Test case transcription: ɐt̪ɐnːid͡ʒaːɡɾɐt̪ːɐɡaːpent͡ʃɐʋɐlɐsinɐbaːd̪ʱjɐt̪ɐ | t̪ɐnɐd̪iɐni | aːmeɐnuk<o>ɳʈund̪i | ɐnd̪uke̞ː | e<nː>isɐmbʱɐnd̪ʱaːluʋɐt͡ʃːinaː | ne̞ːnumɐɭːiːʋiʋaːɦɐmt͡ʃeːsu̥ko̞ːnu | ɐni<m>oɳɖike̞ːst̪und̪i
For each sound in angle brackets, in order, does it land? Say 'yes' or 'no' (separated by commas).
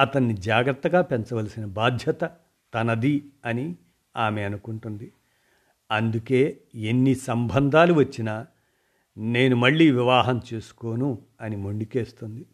no, yes, yes